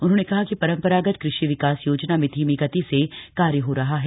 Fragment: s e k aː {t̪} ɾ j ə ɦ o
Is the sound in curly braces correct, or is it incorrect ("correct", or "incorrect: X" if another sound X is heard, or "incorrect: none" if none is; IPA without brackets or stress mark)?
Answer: incorrect: none